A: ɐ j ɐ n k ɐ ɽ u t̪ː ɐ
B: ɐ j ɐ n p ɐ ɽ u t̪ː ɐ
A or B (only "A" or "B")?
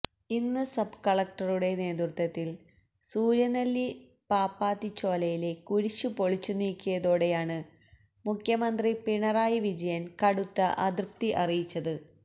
A